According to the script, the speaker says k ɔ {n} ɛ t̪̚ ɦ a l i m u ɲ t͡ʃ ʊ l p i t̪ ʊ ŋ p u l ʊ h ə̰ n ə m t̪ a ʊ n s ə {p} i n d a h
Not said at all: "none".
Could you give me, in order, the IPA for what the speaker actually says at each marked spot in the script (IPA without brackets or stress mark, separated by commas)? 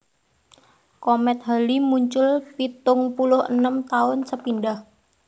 m, p